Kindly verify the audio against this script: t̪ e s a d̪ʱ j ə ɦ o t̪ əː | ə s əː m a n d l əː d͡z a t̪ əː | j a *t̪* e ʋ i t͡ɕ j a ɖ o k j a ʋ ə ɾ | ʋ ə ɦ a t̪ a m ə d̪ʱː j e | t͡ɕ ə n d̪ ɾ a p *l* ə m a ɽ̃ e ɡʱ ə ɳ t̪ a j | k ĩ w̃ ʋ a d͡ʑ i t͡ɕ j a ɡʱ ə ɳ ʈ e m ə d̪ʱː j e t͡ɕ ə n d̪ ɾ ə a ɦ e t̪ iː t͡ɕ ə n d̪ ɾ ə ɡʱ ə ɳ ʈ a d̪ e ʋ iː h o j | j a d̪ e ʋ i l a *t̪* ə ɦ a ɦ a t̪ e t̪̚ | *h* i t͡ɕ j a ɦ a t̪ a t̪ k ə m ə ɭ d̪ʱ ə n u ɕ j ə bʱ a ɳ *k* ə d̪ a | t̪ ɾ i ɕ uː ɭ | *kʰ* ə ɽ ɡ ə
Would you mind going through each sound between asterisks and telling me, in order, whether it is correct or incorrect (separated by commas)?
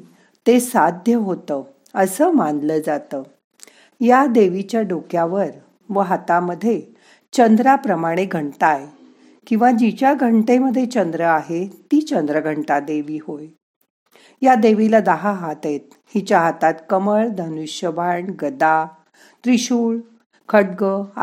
incorrect, incorrect, incorrect, correct, incorrect, correct